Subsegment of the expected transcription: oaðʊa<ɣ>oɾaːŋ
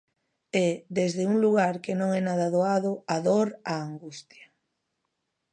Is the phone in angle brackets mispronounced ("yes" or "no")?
yes